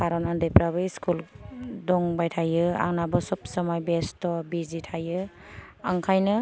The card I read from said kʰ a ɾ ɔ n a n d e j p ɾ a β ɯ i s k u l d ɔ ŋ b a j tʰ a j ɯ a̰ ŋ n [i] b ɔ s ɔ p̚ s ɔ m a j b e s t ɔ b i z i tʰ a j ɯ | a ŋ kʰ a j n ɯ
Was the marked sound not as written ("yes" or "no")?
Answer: yes